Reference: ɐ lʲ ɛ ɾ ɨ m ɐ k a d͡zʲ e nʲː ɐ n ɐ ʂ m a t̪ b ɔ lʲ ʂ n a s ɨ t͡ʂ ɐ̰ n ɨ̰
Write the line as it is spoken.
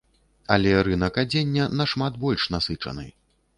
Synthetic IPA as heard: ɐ lʲ ɛ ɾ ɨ n ɐ k a d͡zʲ e nʲː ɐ n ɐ ʂ m a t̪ b ɔ lʲ ʂ n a s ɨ t͡ʂ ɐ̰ n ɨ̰